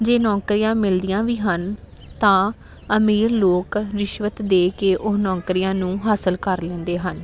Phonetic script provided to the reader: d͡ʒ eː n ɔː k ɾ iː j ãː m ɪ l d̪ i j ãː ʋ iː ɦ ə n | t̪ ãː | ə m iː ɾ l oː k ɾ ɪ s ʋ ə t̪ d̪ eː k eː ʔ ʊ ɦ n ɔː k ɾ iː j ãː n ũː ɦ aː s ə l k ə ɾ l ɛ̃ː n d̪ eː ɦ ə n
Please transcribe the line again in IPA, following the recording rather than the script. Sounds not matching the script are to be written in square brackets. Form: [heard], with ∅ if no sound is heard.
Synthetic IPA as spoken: d͡ʒ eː n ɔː k ɾ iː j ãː m ɪ l d̪ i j ãː ʋ iː ɦ ə n | t̪ ãː | ə m iː ɾ l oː k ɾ ɪ [ʃ] ʋ ə t̪ d̪ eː k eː ʔ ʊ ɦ n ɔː k ɾ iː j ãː n ũː ɦ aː s ə l k ə ɾ l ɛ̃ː n d̪ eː ɦ ə n